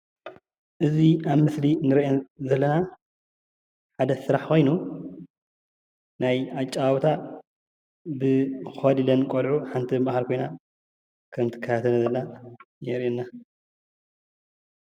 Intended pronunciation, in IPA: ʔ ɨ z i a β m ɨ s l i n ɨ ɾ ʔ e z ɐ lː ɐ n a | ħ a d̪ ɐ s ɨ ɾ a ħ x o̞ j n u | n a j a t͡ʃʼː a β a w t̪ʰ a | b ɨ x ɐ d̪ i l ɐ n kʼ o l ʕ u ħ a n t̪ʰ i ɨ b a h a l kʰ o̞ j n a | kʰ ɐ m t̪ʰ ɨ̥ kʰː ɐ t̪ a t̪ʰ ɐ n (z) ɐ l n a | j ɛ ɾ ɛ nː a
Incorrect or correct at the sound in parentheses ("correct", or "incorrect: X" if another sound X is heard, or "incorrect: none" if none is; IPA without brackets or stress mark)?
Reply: correct